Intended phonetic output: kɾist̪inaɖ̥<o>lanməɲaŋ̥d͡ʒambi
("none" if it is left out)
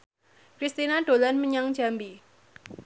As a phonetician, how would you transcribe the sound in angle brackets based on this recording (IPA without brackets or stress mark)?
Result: o